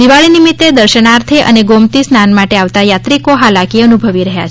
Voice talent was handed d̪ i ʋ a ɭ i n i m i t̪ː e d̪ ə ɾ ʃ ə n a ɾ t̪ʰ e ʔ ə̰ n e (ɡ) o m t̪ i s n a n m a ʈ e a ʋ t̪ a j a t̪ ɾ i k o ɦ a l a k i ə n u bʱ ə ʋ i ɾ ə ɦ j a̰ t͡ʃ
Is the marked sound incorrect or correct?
correct